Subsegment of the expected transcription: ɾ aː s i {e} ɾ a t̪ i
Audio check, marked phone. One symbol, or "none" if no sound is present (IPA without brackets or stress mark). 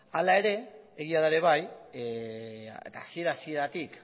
e